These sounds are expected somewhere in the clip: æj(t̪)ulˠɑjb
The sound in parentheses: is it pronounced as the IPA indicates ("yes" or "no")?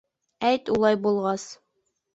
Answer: yes